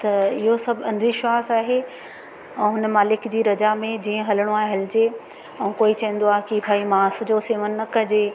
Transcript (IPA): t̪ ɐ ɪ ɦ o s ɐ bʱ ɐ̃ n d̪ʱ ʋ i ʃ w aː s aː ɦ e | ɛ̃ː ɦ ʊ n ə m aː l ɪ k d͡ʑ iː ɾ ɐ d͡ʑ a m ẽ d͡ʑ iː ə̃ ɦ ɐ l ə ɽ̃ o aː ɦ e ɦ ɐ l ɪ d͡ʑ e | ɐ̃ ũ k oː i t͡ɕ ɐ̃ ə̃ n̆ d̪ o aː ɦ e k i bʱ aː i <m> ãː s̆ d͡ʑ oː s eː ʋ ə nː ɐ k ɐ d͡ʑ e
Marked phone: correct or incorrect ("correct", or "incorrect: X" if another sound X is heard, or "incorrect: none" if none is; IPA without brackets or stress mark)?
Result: correct